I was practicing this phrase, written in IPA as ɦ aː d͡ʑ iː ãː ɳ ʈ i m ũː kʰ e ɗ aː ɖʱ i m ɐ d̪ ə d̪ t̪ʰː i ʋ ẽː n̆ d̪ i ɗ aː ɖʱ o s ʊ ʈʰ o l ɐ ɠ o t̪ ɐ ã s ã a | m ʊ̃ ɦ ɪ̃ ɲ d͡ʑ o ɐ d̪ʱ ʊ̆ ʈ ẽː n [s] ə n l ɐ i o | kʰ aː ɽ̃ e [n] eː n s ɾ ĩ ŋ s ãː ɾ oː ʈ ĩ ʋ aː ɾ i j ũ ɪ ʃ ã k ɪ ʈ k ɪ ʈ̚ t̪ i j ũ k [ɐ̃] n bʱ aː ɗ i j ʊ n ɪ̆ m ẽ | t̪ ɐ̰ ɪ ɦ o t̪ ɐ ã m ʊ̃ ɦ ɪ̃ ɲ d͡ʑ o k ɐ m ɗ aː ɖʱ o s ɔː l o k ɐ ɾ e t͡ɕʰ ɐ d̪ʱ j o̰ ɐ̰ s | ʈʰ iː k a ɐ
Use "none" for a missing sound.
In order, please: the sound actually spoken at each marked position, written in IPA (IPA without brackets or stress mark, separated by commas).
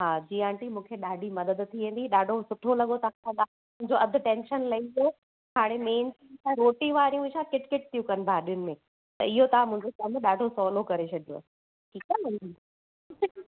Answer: ʃ, m, ɐ